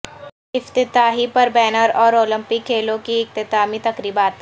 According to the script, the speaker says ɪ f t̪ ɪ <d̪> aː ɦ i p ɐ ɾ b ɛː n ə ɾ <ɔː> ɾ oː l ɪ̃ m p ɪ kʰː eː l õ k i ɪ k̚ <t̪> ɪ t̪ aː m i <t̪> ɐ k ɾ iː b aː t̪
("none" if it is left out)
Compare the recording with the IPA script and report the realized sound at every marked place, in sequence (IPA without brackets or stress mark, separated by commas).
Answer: t̪, ɔː, t̪, t̪